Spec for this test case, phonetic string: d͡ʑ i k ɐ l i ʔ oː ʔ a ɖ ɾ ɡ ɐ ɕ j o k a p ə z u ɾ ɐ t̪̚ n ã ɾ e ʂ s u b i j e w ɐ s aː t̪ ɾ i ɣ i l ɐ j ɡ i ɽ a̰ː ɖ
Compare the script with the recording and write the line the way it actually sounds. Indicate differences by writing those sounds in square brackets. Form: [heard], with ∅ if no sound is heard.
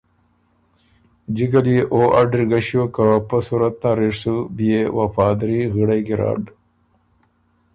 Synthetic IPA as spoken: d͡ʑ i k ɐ l i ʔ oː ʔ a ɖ ɾ ɡ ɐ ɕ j o k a p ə [s] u ɾ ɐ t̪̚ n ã ɾ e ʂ s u b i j e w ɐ [f] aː [d̪] ɾ i ɣ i [ɽ] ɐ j ɡ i [ɾ] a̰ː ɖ